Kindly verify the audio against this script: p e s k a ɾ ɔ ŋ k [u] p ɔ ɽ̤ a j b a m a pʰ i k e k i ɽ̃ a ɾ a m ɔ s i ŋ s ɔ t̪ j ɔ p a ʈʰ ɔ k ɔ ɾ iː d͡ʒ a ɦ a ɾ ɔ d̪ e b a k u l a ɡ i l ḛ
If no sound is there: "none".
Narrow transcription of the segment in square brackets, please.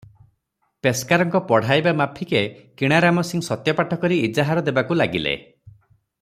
ɔ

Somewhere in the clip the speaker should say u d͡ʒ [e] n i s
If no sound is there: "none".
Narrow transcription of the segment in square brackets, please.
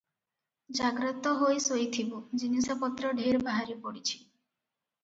i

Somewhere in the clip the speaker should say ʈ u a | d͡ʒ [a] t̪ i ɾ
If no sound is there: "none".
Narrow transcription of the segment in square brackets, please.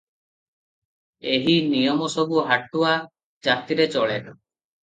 a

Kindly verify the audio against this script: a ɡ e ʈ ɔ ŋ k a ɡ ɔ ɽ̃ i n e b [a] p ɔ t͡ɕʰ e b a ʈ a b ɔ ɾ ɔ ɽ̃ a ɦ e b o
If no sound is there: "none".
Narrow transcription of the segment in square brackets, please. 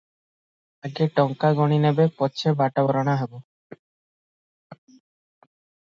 e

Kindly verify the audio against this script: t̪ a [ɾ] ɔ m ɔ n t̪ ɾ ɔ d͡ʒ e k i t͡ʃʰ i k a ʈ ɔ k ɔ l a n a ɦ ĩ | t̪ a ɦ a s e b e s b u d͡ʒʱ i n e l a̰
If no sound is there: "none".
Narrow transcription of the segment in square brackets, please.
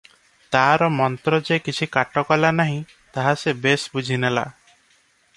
ɾ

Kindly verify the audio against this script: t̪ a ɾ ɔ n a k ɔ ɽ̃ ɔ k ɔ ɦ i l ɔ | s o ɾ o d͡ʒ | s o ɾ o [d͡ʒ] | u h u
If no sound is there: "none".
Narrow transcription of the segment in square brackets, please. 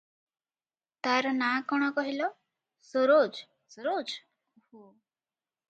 d͡ʒ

